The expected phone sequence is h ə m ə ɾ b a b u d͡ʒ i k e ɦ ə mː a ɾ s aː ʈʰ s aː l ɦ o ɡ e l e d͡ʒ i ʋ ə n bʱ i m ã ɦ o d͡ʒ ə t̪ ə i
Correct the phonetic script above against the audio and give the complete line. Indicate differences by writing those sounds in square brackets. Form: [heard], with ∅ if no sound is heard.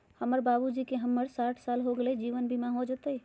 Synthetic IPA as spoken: h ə m ə ɾ b a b u d͡ʒ i k e ɦ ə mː [ə] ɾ s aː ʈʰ s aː l ɦ o ɡ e l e d͡ʒ i ʋ ə n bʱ i m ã ɦ o d͡ʒ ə t̪ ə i